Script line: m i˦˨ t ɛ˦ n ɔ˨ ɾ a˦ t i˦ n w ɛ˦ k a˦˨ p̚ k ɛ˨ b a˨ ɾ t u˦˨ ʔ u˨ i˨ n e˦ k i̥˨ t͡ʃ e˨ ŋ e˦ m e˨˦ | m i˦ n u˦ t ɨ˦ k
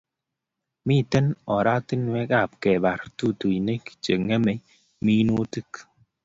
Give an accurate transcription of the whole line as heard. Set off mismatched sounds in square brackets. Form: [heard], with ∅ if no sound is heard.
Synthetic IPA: m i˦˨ t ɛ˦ n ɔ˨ ɾ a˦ t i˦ n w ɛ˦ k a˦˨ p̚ k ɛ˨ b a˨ ɾ t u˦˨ [t] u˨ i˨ n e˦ k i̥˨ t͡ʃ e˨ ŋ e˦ m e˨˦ | m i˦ n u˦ t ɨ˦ k